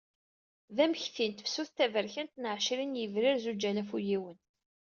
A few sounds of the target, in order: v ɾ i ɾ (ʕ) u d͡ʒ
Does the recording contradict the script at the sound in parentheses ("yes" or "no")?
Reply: yes